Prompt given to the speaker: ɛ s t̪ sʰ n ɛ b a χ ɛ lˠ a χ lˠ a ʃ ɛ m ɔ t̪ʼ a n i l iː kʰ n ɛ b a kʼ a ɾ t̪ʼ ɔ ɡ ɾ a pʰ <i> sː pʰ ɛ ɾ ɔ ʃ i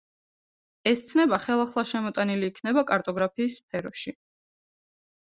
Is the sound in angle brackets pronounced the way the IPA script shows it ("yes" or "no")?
no